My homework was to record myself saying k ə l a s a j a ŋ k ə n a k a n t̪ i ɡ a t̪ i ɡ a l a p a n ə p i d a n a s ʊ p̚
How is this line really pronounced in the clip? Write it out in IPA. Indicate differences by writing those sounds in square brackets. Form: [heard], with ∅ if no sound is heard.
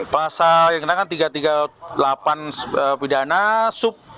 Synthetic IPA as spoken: [p] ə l a s a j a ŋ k ə n a k a n t̪ i ɡ a t̪ i ɡ a l a p a n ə p i d a n a s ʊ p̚